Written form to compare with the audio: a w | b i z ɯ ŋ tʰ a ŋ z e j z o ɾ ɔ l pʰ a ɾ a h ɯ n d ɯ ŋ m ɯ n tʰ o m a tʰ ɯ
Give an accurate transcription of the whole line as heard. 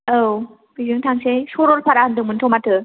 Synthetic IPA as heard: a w | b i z ɯ ŋ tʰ a ŋ s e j s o ɾ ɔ l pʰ a ɾ a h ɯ n d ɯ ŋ m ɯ n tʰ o m a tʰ ɯ